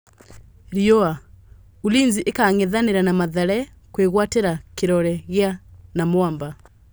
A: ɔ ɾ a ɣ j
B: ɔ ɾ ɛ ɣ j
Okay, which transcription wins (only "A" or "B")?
B